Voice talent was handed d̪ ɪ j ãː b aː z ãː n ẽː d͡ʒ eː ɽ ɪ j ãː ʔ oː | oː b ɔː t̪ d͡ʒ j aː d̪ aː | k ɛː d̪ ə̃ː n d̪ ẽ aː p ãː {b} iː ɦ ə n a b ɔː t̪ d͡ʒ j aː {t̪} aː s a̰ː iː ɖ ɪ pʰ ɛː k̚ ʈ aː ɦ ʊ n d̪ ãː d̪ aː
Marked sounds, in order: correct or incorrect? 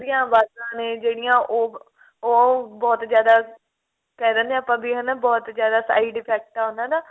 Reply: correct, incorrect

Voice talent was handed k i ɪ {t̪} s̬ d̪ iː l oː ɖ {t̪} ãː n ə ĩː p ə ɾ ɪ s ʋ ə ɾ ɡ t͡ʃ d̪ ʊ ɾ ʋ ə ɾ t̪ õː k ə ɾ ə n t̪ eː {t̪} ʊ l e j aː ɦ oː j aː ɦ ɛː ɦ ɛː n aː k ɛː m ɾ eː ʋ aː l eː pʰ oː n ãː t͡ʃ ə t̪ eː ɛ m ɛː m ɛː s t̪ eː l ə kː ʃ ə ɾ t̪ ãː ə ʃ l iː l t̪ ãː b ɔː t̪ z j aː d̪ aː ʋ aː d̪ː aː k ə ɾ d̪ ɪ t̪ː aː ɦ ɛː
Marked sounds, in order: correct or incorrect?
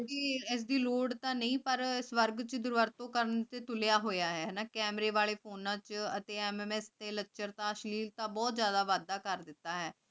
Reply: incorrect, correct, correct

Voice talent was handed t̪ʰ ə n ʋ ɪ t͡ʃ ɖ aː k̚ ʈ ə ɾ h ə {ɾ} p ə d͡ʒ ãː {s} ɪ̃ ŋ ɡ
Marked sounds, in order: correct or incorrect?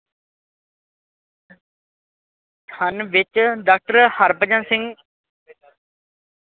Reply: correct, correct

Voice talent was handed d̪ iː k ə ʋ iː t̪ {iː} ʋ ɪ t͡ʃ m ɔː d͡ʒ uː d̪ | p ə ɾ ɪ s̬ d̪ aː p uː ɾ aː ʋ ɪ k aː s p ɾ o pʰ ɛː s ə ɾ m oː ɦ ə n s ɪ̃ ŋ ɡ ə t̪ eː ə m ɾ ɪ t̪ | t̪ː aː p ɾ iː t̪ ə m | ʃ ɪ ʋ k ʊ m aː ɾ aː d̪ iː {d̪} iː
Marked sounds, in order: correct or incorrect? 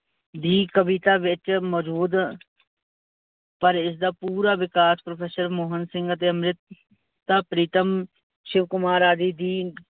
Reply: incorrect, correct

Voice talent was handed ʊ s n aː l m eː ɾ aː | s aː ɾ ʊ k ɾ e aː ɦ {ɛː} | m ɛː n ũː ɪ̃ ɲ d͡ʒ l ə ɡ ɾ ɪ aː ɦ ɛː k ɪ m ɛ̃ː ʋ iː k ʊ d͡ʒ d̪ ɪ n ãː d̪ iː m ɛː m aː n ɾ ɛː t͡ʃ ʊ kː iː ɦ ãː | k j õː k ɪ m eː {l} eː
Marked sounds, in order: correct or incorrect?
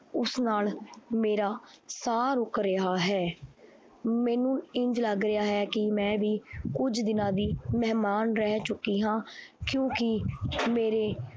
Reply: correct, incorrect

